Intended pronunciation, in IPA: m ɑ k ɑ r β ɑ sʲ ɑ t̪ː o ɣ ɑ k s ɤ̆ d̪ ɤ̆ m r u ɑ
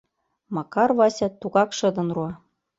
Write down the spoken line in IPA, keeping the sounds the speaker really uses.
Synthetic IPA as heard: m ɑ k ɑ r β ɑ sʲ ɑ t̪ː u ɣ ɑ k ʃ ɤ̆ d̪ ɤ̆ n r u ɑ